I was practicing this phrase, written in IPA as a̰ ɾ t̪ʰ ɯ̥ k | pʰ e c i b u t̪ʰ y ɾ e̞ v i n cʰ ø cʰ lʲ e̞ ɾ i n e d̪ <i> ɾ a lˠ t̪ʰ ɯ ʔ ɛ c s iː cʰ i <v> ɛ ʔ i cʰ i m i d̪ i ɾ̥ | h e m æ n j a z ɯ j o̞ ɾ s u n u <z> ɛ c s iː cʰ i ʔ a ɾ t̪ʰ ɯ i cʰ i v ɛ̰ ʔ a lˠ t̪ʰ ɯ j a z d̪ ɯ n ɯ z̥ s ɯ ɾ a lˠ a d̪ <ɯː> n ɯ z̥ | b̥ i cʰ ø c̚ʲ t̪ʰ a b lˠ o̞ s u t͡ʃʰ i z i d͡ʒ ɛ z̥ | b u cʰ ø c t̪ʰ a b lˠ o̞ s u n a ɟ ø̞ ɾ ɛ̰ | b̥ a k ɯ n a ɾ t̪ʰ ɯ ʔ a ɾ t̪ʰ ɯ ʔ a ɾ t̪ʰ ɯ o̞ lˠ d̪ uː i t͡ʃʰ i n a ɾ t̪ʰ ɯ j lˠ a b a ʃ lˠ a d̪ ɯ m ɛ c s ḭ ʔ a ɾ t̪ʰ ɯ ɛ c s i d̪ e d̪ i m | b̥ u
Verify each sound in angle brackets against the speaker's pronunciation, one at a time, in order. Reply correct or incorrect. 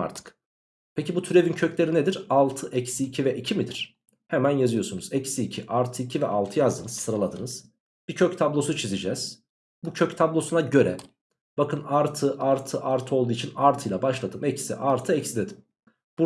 correct, correct, correct, incorrect

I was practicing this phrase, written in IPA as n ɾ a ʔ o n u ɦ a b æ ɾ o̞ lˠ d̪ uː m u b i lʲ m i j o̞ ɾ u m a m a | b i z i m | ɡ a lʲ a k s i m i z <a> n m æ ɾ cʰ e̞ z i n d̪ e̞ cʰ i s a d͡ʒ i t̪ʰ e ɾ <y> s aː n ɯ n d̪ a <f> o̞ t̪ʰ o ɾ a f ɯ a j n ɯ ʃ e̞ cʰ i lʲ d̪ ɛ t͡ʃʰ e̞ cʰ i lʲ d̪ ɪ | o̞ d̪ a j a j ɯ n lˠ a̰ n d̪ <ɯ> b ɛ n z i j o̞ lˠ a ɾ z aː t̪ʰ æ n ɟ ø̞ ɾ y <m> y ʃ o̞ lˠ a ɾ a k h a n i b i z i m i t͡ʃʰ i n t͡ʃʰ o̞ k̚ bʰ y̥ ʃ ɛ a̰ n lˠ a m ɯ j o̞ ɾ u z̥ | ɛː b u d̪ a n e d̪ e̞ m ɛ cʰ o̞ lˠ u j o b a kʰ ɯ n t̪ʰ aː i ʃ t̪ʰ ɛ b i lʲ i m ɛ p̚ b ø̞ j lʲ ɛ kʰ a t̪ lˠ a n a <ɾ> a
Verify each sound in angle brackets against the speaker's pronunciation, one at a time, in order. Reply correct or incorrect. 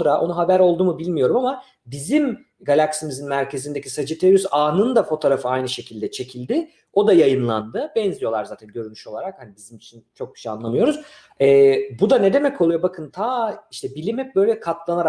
incorrect, correct, correct, correct, incorrect, correct

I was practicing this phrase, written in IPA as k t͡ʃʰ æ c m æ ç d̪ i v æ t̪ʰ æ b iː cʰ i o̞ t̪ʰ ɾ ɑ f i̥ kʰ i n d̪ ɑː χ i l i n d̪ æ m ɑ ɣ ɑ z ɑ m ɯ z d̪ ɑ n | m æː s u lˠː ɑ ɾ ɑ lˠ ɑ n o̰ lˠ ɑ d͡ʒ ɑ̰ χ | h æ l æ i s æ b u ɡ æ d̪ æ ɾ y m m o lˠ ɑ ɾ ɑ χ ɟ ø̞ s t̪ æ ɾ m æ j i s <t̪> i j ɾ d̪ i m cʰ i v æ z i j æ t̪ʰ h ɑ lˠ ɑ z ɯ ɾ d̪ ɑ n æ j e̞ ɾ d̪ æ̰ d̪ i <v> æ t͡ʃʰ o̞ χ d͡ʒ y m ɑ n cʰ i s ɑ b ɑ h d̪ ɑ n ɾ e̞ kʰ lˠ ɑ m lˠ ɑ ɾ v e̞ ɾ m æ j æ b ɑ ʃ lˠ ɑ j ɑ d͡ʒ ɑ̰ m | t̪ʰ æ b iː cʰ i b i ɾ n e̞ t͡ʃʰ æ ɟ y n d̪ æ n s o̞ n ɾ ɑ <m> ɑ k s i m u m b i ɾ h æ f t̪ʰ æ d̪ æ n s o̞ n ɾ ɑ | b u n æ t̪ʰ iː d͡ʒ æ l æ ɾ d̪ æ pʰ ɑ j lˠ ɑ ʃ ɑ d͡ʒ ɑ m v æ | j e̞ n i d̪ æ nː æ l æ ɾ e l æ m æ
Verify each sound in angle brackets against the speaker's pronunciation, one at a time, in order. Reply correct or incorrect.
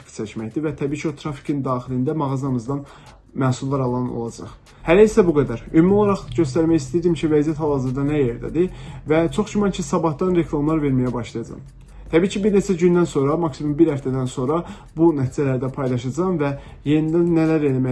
correct, correct, correct

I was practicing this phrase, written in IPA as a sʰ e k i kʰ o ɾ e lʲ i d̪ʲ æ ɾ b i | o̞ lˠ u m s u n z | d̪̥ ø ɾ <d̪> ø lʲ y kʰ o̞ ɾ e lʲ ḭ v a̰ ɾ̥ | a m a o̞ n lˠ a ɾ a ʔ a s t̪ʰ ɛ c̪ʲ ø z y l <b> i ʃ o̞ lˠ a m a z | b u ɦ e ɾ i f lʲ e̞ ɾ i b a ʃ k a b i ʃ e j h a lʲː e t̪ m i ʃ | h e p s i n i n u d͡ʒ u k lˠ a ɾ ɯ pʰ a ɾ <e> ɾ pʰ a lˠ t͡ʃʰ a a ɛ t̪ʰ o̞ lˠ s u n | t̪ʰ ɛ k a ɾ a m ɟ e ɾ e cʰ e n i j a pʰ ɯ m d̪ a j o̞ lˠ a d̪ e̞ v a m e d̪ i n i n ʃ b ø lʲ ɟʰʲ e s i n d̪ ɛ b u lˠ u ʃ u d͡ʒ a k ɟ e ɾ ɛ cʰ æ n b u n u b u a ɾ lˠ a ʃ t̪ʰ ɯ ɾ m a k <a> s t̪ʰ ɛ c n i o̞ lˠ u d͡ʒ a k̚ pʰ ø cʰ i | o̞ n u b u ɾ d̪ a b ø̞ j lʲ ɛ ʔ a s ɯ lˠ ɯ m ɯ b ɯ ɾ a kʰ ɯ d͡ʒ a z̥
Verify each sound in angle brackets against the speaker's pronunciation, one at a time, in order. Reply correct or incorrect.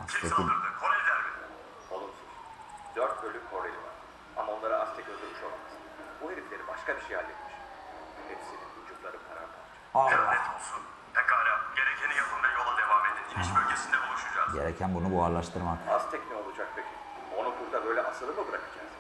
incorrect, incorrect, incorrect, correct

